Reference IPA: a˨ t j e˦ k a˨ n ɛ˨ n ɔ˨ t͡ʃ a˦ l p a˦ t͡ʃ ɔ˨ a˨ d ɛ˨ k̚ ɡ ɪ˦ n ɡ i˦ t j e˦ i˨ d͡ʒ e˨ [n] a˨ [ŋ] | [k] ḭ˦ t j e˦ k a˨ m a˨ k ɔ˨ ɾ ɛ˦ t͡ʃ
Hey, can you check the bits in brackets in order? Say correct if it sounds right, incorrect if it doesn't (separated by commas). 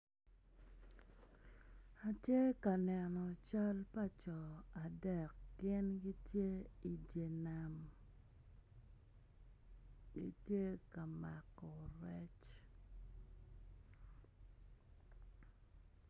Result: correct, incorrect, incorrect